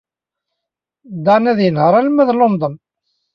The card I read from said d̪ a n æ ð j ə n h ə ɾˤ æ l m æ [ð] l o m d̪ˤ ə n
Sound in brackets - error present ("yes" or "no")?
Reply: no